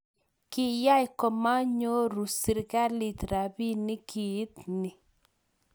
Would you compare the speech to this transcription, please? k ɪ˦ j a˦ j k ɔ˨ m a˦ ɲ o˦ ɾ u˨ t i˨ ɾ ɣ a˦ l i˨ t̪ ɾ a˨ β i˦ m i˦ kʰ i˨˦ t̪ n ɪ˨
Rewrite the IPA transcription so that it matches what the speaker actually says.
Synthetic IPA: k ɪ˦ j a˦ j k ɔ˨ m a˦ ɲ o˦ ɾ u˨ s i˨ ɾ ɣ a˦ l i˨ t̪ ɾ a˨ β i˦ n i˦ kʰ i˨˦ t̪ n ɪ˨